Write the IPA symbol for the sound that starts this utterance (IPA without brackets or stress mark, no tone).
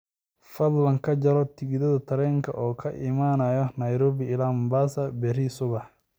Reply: f